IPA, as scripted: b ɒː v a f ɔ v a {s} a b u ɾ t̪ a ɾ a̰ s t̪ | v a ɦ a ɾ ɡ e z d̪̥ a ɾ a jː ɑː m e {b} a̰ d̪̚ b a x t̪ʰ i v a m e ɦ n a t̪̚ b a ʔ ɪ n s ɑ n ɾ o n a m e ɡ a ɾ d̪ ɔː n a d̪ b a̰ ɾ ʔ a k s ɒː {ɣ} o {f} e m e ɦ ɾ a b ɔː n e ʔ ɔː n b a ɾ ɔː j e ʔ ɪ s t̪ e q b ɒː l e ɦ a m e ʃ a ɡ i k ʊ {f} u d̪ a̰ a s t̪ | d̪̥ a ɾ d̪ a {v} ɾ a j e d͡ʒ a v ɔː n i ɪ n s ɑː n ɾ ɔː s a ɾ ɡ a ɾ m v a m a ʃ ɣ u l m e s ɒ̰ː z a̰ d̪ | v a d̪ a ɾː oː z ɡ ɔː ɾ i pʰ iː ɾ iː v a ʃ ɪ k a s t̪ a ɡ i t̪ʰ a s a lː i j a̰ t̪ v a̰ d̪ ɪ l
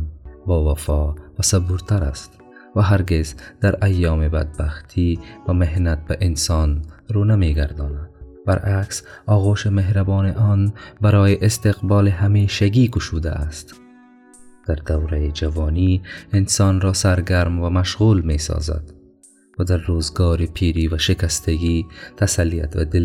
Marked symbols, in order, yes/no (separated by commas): yes, yes, yes, no, no, no